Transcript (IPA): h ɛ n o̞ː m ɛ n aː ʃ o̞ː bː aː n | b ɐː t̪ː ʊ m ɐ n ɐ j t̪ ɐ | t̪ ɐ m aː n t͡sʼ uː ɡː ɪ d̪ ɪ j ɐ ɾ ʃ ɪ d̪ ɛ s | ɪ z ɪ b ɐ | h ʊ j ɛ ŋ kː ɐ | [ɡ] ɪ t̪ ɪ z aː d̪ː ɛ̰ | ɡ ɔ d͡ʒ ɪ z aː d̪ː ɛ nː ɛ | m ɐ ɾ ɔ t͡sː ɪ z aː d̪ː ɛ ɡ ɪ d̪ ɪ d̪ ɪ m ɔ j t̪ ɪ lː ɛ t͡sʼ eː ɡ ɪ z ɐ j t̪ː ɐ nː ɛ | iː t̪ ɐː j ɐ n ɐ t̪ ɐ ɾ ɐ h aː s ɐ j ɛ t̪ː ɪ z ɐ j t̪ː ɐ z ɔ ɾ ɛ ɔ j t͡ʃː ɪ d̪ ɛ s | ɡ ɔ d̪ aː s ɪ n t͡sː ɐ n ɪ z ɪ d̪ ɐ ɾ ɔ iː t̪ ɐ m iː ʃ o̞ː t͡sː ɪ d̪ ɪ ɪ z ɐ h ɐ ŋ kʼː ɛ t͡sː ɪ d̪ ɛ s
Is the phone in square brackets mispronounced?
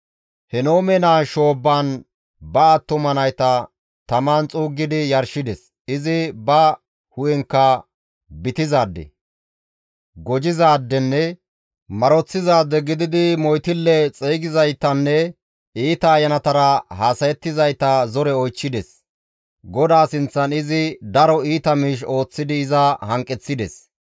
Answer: yes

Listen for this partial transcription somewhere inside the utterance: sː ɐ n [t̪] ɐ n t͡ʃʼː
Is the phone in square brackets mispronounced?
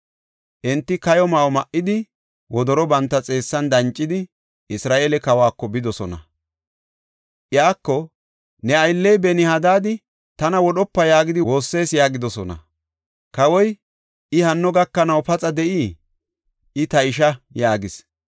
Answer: yes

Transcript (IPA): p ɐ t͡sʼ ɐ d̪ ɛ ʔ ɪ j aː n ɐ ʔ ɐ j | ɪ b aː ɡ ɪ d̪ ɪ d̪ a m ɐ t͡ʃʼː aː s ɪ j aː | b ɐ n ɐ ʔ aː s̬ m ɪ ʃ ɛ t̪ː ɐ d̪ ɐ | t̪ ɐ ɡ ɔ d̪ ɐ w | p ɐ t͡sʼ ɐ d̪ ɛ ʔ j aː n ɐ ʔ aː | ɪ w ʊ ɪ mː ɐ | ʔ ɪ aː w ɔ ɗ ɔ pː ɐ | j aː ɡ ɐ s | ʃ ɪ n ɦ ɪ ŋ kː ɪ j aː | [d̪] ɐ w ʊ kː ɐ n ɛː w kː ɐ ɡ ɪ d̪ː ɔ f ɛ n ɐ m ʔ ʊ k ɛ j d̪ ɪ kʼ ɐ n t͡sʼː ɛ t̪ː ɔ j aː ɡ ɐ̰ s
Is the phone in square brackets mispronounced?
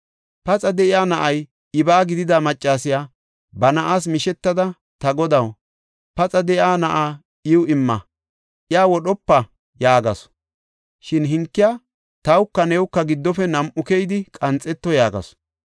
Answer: yes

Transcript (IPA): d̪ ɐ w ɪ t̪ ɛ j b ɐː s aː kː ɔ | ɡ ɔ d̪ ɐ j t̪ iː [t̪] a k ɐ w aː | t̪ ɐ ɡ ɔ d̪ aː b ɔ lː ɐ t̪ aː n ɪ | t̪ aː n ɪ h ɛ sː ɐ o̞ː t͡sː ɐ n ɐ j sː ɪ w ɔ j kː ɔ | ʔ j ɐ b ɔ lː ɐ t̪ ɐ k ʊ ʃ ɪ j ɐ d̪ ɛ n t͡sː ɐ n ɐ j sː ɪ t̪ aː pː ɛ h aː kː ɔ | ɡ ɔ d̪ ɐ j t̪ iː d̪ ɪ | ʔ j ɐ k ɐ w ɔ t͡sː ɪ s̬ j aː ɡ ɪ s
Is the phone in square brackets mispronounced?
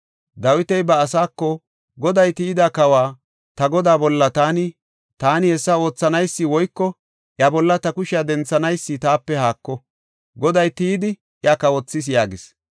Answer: yes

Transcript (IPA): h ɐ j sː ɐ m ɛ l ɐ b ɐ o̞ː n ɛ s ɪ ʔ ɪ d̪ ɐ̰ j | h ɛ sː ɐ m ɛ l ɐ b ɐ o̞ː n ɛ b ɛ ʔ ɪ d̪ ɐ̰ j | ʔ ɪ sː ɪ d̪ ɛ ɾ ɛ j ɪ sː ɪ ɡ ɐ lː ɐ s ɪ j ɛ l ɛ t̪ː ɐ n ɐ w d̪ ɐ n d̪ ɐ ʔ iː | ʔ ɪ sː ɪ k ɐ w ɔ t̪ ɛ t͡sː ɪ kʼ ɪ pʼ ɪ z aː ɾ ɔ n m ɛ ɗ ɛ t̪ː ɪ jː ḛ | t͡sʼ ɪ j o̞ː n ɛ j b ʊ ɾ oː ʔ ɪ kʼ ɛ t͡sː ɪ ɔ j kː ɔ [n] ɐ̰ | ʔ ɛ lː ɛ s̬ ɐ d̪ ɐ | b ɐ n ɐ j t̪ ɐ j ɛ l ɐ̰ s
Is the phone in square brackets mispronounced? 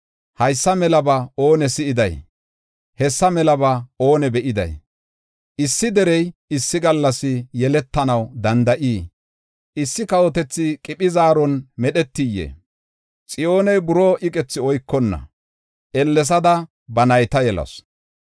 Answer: yes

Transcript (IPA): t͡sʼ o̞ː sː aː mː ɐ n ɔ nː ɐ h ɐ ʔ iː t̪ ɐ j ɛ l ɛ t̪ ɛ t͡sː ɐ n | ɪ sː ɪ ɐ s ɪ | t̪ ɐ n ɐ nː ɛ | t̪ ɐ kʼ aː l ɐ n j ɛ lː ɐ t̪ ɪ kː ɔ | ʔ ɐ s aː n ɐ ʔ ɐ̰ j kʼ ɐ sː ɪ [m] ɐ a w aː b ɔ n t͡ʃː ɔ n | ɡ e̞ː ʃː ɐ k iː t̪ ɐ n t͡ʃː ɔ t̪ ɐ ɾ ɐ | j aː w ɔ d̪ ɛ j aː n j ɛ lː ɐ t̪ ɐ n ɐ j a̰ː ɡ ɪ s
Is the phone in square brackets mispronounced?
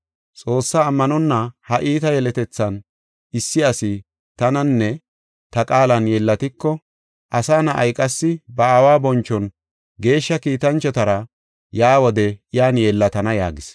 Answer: yes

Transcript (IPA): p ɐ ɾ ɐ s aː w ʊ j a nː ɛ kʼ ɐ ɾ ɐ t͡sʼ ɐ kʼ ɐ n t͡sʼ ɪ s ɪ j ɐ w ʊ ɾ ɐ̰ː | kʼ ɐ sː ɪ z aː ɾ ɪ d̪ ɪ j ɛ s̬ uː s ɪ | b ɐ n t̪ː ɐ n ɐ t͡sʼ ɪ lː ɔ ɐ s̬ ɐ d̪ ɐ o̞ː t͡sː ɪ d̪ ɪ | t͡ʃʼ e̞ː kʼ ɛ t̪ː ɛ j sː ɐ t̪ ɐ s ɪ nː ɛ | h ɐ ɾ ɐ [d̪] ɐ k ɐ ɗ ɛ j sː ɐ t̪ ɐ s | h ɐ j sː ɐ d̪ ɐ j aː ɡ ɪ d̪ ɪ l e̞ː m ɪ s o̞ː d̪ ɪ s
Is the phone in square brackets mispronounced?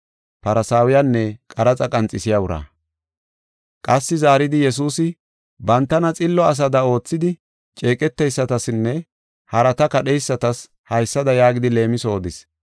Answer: yes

